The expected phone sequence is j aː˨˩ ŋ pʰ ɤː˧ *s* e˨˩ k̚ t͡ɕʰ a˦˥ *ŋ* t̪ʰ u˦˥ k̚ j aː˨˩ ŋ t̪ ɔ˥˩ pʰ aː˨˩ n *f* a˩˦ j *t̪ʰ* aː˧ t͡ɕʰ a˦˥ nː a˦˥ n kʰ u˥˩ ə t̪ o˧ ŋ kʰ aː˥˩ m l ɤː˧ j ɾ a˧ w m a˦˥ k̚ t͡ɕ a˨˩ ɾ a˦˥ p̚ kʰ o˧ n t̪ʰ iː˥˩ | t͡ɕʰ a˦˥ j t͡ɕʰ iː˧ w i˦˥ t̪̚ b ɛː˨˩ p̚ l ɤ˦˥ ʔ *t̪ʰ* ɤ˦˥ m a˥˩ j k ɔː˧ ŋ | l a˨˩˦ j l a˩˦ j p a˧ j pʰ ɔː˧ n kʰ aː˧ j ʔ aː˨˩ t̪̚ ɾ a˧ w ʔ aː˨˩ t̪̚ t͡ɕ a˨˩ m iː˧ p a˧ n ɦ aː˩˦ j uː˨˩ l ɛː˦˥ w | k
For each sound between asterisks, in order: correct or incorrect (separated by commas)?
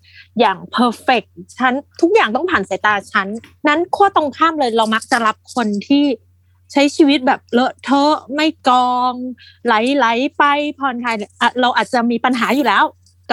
incorrect, incorrect, incorrect, incorrect, correct